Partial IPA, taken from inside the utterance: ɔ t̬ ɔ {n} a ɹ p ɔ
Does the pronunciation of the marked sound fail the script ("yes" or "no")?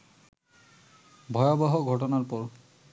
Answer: no